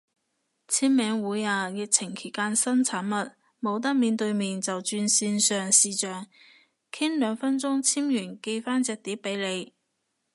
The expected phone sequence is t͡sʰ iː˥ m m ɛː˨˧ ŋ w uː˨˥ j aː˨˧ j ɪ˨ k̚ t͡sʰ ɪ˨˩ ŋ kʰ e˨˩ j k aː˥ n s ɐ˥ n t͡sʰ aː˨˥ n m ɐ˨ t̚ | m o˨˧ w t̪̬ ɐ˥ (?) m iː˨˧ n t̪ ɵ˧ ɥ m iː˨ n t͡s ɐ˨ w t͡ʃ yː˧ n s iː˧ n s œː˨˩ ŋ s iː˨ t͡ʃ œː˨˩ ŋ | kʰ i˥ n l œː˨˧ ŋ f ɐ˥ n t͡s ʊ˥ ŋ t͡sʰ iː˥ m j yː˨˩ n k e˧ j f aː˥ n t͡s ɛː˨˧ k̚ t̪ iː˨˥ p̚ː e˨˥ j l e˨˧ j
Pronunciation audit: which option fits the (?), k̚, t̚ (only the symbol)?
k̚